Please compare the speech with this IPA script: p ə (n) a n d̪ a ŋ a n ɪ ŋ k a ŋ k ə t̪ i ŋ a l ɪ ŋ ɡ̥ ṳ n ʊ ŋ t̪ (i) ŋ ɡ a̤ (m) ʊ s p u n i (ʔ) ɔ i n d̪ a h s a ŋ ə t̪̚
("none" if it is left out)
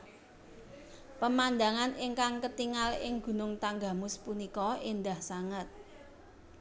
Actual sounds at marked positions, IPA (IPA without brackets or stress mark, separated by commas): m, a, m, k